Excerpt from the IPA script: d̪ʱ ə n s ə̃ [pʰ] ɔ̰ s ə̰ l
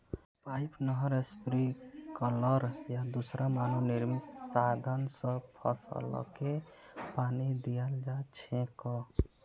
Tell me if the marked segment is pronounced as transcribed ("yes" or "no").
yes